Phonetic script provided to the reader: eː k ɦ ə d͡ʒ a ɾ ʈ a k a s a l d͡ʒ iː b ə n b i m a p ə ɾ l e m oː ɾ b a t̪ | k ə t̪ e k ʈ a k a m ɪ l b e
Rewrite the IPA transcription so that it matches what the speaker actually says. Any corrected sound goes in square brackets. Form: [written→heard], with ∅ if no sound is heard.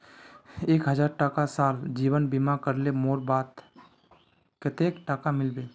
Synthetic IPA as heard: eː k ɦ ə d͡ʒ a ɾ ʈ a k a s a l d͡ʒ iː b ə n b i m a [p→k] ə ɾ l e m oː ɾ b a t̪ | k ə t̪ e k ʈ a k a m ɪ l b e